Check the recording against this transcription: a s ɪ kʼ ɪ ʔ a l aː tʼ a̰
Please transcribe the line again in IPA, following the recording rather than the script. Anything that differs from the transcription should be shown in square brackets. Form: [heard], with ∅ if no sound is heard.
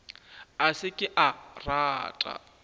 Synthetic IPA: a s ɪ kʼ ɪ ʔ a [r] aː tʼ a̰